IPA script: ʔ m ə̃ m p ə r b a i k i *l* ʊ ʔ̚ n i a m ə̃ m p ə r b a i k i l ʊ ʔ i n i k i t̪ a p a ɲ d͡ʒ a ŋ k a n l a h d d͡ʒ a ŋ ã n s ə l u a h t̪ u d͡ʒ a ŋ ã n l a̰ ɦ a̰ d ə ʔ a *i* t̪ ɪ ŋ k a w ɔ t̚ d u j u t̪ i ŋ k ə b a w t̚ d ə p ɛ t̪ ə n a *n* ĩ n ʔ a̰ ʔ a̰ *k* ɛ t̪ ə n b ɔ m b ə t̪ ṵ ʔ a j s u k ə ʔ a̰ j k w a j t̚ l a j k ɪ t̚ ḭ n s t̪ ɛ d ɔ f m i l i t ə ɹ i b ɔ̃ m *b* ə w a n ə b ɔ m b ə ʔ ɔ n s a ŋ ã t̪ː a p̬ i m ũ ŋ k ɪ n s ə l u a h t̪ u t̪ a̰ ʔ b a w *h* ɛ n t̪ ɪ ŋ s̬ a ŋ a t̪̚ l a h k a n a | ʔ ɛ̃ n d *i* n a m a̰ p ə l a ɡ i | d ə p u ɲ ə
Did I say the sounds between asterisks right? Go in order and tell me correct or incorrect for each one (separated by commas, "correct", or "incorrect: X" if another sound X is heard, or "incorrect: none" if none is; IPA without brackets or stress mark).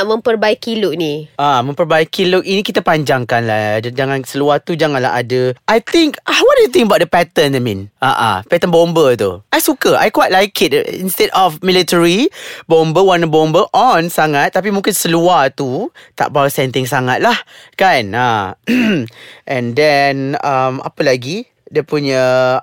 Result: correct, incorrect: j, incorrect: m, incorrect: p, correct, incorrect: s, incorrect: ɛ